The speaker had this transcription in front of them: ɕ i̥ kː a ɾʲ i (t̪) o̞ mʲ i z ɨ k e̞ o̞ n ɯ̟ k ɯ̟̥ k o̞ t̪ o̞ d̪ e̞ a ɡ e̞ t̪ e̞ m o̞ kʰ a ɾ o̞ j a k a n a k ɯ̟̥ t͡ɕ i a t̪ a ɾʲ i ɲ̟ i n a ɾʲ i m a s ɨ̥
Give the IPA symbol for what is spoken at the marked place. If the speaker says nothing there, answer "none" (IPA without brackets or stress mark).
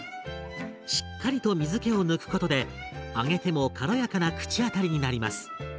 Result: t̪